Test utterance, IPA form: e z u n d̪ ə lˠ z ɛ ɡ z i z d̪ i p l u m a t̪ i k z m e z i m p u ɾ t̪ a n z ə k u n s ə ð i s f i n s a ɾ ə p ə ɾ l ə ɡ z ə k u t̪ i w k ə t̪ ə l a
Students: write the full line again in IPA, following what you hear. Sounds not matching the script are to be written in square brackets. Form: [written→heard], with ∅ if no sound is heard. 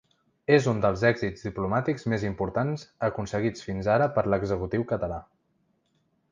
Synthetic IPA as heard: e z u n d̪ ə lˠ z ɛ ɡ z i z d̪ i p l u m a t̪ i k z m e z i m p u ɾ t̪ a n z ə k u n s ə [ð→ɣ] i [s→t͡s] f i n [s→z] a ɾ ə p ə ɾ l ə ɡ z ə k u t̪ i w k ə t̪ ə l a